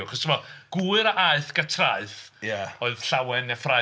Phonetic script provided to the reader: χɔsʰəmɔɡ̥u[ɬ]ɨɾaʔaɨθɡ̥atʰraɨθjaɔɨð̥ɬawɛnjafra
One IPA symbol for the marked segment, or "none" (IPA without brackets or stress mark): none